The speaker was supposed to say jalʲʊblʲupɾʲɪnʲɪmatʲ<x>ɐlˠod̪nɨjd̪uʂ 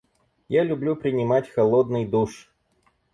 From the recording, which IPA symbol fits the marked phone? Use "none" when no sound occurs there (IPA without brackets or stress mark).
x